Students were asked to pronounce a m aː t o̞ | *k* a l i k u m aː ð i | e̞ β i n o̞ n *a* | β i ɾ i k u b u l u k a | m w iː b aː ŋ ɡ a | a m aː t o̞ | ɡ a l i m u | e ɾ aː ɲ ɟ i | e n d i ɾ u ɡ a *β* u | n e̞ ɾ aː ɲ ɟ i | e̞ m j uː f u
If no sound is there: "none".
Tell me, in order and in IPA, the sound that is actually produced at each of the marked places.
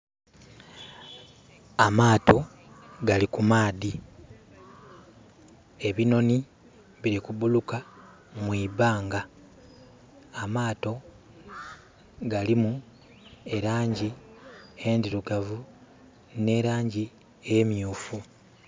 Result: ɡ, i, v

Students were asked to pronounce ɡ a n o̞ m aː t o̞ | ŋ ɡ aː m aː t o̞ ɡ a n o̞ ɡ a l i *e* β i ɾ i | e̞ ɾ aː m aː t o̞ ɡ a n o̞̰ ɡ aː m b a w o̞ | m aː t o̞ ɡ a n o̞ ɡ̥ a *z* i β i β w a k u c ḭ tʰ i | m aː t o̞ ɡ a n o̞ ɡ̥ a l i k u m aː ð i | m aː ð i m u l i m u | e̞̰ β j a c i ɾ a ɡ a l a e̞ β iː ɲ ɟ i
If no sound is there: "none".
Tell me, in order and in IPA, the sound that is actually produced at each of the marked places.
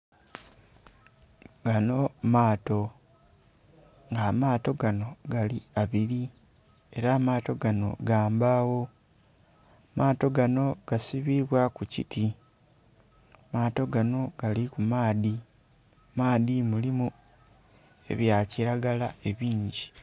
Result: a, s

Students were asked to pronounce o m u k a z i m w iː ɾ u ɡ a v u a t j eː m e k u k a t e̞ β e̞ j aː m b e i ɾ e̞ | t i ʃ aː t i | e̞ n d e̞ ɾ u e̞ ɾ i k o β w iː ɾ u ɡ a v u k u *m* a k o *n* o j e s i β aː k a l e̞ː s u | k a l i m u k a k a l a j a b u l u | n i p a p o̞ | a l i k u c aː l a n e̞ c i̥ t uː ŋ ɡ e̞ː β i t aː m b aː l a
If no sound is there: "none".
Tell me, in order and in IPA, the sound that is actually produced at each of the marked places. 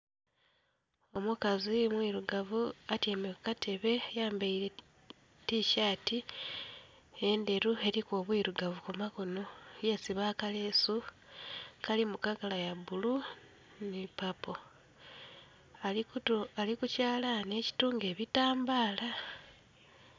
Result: m, n

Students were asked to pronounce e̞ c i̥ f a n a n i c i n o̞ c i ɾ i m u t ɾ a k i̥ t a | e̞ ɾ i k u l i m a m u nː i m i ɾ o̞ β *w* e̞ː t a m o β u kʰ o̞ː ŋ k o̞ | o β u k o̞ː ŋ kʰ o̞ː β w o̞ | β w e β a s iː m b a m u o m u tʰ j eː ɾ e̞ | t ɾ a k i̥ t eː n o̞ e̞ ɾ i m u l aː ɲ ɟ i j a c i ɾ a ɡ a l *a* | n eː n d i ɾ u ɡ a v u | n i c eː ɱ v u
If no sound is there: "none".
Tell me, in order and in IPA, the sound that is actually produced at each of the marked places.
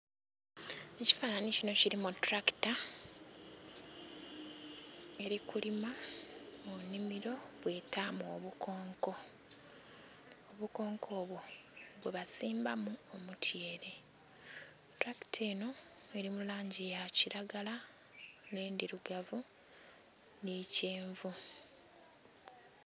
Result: w, a

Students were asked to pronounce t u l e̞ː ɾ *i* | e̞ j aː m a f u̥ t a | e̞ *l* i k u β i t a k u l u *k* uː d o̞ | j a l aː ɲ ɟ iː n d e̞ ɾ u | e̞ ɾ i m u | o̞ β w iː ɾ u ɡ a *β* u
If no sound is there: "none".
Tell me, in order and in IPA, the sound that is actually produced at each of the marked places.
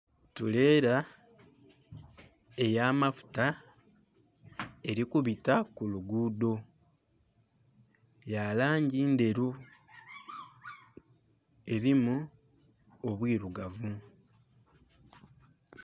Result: a, ɾ, ɡ, v

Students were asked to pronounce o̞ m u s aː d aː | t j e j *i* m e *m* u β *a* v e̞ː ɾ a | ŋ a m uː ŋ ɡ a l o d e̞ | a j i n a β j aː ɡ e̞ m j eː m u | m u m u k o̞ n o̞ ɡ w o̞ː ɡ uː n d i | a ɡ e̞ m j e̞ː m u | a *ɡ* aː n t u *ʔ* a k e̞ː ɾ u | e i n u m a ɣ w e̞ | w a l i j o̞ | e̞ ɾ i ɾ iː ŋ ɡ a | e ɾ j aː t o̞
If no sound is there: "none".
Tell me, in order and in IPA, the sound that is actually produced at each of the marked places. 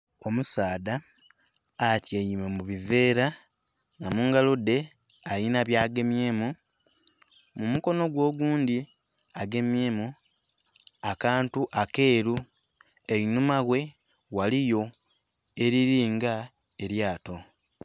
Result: i, m, i, k, ʔ

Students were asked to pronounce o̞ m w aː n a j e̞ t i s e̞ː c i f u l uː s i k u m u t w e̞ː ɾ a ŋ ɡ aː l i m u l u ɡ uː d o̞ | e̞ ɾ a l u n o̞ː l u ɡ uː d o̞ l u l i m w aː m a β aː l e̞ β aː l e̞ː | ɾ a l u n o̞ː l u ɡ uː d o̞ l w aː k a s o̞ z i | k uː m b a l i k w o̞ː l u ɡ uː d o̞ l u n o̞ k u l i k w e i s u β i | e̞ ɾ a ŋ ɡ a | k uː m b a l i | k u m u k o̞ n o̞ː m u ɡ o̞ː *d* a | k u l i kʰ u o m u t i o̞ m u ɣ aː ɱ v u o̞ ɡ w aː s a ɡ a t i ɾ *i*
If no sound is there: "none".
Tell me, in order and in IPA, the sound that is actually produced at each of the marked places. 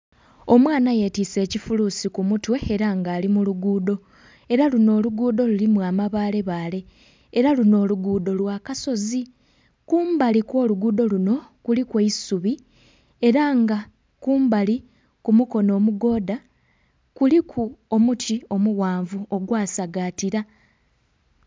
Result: d, a

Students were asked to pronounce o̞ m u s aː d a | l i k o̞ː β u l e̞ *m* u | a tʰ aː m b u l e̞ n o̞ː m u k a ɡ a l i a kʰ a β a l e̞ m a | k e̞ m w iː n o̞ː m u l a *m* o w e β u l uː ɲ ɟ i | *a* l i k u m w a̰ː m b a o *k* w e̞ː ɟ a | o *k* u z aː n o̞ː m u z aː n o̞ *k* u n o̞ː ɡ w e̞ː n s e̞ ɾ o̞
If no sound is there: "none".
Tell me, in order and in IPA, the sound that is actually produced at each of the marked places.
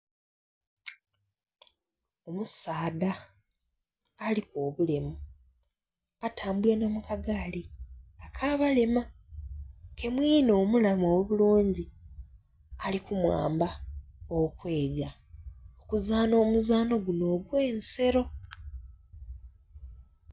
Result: m, m, a, k, k, ɡ

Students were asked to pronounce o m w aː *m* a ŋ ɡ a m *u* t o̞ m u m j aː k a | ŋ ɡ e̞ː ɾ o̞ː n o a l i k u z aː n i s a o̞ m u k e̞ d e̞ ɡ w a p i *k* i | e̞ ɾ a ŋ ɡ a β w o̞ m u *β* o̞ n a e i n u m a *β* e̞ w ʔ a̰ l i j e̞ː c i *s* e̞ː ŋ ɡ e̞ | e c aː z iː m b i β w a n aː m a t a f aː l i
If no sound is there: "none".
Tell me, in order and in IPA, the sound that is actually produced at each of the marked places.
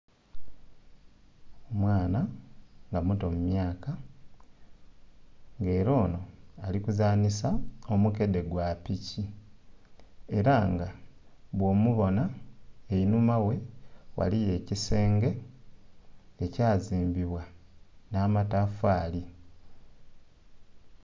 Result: n, u, c, β, w, s

